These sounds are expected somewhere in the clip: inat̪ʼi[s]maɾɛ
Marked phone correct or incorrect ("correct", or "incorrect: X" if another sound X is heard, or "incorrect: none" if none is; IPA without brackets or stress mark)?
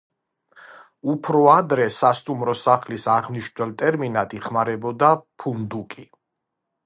incorrect: χ